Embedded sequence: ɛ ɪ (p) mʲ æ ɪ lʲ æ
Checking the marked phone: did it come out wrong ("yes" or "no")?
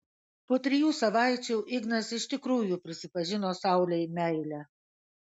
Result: yes